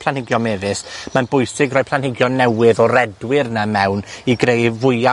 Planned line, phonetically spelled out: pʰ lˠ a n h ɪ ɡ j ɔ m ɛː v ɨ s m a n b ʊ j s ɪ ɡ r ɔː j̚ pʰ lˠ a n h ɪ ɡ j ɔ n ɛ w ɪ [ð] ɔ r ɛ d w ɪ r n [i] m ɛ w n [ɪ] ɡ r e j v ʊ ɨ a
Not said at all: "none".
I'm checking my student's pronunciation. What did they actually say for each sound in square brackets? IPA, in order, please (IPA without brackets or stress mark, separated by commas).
ð, a, i